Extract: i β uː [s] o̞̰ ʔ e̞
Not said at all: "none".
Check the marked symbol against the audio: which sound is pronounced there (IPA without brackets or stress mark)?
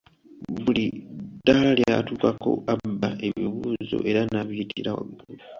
z